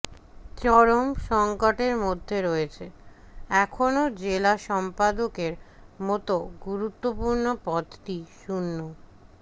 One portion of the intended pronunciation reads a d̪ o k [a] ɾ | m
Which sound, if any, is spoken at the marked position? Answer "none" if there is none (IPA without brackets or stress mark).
e